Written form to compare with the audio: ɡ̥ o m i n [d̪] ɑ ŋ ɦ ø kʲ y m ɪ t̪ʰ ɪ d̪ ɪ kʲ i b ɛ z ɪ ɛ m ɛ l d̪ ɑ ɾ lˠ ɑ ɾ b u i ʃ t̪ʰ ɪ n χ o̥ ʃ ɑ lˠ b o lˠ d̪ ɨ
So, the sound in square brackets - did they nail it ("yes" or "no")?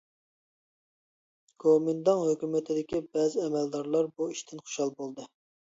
yes